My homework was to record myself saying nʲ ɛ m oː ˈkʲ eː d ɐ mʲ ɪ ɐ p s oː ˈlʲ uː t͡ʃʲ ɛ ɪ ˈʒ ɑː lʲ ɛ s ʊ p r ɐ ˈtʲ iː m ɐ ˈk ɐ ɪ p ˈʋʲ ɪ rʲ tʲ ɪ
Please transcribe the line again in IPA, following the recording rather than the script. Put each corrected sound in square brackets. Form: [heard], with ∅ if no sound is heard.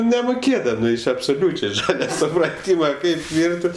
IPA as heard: nʲ ɛ m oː ˈkʲ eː d ɐ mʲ ɪ ɐ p s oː ˈlʲ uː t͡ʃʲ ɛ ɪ ˈʒ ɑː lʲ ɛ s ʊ p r ɐ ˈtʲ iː m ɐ ˈk ɐ ɪ p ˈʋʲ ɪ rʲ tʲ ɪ